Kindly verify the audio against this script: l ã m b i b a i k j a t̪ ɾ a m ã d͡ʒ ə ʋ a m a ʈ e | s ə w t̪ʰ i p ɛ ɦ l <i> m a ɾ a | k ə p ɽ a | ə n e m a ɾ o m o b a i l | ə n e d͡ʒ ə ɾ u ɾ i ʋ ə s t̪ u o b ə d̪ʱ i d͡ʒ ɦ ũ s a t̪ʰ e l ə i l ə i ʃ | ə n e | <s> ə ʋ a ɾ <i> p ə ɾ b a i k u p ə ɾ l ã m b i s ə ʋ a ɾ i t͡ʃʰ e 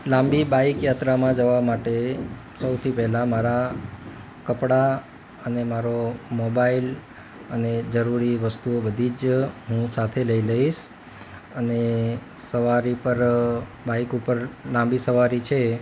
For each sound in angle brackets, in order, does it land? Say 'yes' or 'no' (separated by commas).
no, yes, yes